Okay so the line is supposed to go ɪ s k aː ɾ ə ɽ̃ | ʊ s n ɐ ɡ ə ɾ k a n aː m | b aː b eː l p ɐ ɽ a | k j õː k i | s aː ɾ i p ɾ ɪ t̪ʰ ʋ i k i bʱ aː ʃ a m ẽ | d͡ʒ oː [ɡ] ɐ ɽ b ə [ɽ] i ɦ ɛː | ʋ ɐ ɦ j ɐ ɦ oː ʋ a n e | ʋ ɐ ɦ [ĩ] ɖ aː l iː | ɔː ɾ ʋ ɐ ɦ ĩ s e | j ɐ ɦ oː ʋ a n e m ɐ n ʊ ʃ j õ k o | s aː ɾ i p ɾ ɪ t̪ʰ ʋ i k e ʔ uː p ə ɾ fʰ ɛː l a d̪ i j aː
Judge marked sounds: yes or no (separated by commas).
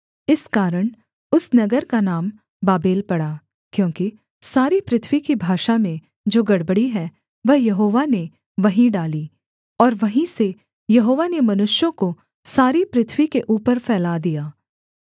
yes, yes, yes